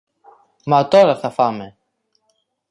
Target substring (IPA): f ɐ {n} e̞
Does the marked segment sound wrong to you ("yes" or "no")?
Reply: yes